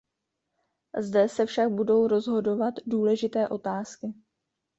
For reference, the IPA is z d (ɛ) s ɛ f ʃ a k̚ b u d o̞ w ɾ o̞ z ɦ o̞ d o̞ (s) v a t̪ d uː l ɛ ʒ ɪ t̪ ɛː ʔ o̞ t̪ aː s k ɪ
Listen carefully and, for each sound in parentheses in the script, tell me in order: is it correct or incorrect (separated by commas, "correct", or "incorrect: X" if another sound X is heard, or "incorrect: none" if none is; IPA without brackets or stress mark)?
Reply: correct, incorrect: none